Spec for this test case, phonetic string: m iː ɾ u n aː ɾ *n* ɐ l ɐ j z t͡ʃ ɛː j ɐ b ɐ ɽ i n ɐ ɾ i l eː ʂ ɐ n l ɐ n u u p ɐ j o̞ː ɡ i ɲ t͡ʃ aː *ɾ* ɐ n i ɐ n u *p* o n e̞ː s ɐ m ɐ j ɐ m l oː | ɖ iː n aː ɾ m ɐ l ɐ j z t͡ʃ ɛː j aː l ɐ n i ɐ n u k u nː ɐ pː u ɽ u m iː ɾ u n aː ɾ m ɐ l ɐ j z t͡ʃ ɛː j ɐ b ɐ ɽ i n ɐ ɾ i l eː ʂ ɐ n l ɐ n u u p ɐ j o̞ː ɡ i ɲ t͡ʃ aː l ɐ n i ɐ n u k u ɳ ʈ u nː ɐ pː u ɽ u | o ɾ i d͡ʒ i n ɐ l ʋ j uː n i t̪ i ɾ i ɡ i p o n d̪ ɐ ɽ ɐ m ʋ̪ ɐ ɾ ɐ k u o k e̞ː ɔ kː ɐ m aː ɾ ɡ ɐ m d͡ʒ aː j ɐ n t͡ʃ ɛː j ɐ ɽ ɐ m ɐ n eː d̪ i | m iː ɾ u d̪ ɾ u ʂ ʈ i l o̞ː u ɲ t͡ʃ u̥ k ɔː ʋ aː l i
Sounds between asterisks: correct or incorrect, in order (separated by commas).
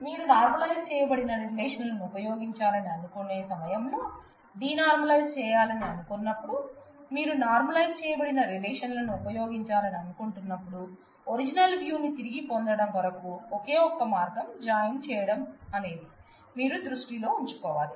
incorrect, incorrect, incorrect